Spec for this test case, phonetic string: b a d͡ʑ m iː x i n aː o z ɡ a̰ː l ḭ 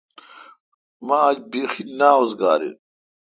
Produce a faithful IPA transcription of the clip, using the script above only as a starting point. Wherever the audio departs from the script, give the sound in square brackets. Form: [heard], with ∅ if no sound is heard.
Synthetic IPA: [m] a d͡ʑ [b] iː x i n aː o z ɡ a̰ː [ɾ] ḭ